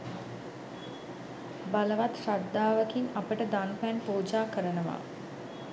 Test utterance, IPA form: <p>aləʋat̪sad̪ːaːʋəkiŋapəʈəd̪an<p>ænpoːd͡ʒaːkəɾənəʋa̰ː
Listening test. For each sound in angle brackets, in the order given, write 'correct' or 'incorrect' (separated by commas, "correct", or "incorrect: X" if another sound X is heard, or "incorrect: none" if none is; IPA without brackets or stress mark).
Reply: incorrect: b, correct